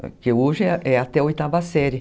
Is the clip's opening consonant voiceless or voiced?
voiceless